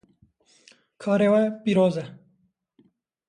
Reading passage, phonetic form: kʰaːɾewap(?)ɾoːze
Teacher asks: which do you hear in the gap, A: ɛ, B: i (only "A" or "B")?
B